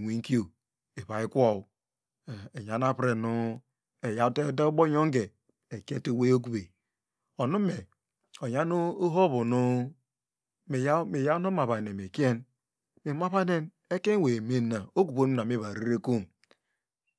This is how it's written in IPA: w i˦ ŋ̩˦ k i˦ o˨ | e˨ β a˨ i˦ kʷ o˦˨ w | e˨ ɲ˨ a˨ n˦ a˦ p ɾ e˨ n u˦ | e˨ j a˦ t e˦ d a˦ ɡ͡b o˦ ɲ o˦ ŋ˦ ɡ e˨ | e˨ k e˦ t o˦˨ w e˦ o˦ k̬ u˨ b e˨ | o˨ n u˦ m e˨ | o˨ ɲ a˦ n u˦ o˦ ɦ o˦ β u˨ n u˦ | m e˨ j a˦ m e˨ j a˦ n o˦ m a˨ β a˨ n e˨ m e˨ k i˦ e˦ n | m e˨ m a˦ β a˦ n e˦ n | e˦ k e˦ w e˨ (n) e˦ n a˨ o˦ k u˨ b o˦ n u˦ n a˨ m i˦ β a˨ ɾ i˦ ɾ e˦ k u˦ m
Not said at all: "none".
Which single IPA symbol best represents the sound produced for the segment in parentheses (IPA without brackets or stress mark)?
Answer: m